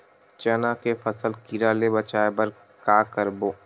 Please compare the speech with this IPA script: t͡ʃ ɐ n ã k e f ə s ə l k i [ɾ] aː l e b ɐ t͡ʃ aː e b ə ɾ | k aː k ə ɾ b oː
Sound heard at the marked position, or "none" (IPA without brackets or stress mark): ɾ